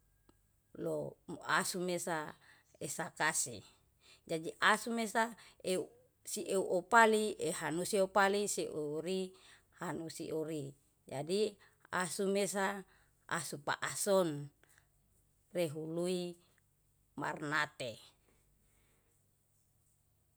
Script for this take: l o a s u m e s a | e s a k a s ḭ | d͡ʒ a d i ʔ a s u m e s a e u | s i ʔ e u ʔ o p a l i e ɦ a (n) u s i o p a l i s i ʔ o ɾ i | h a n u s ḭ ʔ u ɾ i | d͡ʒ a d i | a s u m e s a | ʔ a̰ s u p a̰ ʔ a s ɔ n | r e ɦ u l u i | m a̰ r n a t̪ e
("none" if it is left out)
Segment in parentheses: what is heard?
n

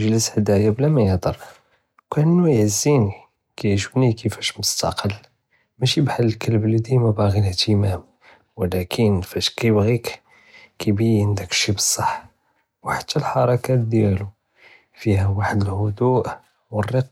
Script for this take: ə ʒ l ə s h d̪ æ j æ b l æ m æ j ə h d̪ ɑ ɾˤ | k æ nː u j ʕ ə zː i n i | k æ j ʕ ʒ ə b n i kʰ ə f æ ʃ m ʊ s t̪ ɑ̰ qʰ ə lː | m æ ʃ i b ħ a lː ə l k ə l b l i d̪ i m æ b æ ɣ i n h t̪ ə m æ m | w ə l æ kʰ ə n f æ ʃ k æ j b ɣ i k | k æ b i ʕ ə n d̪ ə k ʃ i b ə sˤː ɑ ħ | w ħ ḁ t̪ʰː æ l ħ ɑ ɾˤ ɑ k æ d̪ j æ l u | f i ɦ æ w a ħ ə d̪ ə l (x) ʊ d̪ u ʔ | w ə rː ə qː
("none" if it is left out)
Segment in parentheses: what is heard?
h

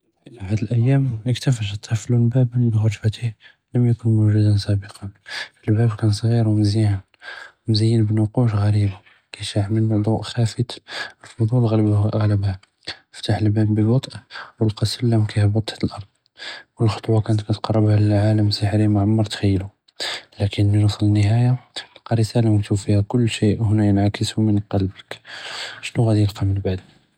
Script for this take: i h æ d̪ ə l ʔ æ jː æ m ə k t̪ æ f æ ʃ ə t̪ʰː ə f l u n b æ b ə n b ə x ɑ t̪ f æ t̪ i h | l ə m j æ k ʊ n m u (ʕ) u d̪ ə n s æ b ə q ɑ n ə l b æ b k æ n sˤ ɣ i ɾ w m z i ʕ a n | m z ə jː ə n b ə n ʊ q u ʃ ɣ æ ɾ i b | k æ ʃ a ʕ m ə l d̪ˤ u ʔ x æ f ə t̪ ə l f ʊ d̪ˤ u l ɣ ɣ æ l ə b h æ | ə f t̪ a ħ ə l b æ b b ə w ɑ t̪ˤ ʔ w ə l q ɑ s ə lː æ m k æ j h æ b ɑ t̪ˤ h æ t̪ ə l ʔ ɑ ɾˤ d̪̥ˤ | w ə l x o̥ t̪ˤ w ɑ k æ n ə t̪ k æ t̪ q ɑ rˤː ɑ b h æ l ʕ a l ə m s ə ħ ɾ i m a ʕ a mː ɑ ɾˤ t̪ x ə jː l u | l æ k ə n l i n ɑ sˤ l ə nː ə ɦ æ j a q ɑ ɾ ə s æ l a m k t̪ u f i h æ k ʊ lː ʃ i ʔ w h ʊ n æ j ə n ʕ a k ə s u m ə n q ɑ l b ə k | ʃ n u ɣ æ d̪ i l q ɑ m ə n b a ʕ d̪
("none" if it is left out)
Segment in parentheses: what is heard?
ʒ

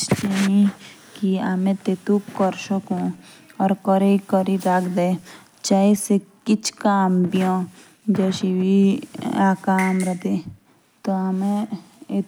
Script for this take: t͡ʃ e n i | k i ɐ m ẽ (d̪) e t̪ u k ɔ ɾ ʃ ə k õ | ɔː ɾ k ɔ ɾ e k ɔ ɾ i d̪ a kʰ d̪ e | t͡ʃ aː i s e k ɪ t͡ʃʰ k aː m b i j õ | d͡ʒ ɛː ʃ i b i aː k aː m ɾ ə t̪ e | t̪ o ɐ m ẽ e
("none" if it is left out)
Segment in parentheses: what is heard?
t̪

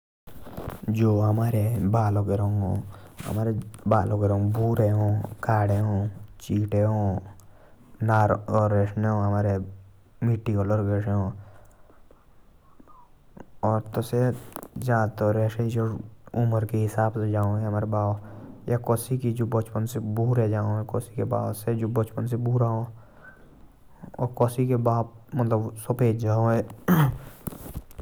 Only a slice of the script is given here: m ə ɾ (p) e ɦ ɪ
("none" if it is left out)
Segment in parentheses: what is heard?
k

